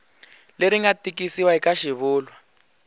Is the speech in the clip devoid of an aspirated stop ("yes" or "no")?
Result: yes